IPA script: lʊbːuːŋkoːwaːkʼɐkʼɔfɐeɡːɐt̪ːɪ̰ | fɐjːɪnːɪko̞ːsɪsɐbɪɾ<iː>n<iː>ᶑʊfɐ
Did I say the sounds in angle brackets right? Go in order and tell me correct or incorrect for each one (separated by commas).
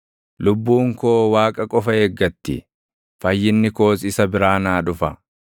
incorrect, incorrect